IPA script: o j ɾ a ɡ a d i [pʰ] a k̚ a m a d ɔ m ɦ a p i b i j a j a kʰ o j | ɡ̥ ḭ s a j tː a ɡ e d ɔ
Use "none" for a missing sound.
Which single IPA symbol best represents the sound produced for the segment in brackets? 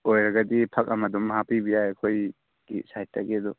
pʰ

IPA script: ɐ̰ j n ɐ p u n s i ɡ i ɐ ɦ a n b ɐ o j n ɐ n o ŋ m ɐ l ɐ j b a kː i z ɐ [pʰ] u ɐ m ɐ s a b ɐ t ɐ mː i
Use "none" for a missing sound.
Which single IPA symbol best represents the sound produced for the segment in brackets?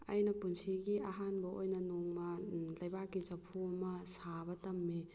pʰ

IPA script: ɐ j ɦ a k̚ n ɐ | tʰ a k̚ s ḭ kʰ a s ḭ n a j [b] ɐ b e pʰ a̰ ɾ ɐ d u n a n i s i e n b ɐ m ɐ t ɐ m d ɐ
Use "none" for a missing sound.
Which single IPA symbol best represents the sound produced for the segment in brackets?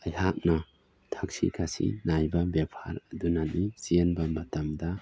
b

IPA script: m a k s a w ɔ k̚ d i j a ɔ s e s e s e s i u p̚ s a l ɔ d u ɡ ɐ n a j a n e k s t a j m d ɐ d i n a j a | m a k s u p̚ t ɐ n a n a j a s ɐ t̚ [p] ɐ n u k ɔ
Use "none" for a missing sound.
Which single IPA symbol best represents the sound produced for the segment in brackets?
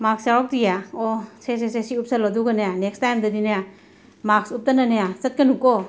k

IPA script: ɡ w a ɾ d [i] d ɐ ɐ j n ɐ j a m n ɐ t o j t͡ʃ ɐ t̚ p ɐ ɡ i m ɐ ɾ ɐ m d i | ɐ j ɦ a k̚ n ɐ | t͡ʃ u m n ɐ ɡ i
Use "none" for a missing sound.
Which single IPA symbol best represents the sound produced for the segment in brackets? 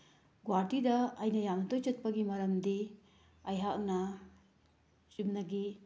i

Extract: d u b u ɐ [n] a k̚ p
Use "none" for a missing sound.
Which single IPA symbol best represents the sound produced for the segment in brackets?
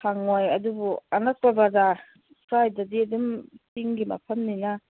n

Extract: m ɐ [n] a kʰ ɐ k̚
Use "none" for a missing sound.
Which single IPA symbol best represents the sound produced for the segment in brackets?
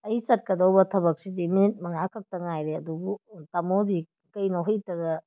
ŋ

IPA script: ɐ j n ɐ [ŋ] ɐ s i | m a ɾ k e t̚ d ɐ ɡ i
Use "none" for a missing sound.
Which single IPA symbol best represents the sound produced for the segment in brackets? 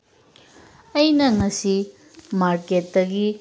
ŋ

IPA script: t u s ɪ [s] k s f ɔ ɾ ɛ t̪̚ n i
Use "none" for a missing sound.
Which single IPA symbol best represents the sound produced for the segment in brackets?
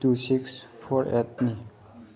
none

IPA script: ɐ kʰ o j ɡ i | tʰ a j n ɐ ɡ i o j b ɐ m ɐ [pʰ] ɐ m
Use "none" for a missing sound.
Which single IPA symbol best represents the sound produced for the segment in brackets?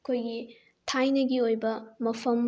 pʰ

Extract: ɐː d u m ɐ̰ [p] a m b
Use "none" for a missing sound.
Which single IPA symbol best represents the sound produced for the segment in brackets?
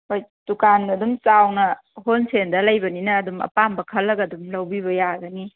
p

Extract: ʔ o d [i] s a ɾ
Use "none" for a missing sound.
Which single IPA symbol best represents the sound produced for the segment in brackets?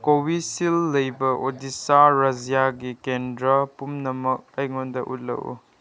i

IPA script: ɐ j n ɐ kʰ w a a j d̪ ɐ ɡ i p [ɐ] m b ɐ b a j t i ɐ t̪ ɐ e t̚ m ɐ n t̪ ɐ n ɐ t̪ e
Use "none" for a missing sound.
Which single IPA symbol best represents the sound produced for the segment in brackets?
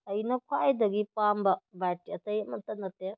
a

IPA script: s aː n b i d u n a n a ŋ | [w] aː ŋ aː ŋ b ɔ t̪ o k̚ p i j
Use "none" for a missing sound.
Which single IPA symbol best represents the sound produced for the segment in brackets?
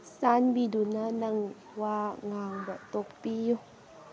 w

